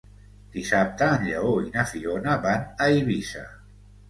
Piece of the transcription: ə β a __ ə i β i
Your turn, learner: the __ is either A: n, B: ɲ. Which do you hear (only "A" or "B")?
A